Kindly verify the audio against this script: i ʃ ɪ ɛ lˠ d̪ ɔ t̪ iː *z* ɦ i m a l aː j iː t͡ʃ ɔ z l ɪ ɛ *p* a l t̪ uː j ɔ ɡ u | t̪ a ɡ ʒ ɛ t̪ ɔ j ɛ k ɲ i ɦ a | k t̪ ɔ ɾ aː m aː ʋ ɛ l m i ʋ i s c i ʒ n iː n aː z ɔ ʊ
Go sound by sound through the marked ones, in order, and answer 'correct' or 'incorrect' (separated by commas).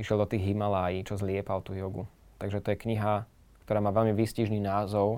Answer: incorrect, correct